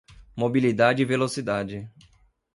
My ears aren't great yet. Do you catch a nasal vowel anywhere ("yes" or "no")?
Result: no